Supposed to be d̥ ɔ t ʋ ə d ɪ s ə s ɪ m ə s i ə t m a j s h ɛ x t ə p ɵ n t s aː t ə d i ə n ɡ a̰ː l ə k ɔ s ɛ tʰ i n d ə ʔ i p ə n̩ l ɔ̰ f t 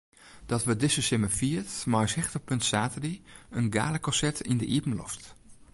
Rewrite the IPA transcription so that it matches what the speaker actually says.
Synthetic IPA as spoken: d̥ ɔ t ʋ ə d ɪ s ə s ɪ m ə f i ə t m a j s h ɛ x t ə p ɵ n t s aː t ə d i ə n ɡ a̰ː l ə k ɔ s ɛ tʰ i n d ə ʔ i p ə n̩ l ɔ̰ f t